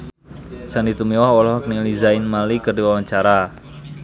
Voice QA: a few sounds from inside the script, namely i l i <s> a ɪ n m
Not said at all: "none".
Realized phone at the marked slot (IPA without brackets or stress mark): z